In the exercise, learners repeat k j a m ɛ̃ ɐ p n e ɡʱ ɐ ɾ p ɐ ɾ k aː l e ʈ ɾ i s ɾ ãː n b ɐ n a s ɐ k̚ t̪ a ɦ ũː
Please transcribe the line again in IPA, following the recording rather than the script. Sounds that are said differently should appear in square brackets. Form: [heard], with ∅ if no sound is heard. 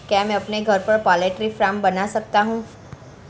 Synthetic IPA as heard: k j a m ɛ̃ ɐ p n e ɡʱ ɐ ɾ p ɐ ɾ [p] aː l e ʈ ɾ i [f] ɾ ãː [m] b ɐ n a s ɐ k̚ t̪ a ɦ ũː